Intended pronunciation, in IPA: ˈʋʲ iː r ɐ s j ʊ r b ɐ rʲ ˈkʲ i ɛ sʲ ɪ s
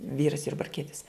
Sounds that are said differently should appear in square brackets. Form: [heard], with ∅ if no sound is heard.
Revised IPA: ˈʋʲ iː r ɐ s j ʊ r b ɐ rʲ ˈkʲ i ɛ [tʲ] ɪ s